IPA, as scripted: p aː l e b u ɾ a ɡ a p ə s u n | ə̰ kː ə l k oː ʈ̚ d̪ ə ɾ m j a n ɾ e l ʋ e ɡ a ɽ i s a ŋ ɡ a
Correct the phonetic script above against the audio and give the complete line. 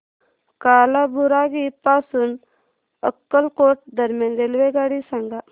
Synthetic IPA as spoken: k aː l a b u ɾ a ɡ i p a s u n | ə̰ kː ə l k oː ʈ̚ d̪ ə ɾ m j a n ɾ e l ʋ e ɡ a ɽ i s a ŋ ɡ a